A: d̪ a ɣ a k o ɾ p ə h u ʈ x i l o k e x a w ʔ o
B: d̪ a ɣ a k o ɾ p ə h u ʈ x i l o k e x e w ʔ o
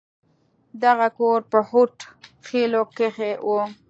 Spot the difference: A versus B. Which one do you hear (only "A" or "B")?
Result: B